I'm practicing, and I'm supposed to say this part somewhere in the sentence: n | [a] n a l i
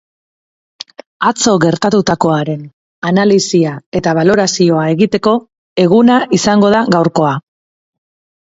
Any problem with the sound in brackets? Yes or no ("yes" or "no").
no